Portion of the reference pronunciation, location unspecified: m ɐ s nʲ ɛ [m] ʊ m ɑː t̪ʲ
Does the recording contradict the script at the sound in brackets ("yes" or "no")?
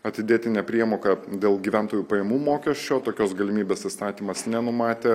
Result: yes